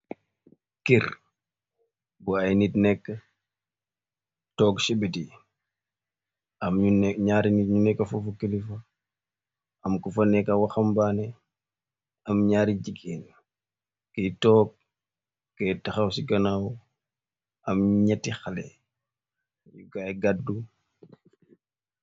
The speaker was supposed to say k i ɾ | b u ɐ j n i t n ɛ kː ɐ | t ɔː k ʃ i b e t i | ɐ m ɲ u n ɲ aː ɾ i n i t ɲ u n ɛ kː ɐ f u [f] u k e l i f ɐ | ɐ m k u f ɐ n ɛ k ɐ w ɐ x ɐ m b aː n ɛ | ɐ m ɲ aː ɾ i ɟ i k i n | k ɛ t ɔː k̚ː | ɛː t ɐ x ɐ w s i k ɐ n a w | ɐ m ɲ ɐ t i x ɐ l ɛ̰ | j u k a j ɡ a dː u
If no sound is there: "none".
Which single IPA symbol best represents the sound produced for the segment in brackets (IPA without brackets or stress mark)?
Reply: f